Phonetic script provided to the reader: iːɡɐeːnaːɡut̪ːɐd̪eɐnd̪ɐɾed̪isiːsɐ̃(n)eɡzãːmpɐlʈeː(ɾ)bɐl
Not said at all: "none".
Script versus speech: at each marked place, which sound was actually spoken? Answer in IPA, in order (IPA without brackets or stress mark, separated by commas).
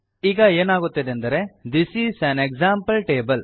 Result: n, none